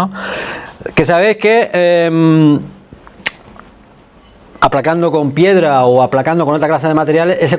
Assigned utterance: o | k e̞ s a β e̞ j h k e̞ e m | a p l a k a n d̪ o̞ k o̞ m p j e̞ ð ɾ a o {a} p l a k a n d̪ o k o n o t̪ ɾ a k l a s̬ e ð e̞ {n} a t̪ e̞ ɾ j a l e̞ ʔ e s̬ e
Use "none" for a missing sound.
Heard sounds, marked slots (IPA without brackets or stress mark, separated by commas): a, m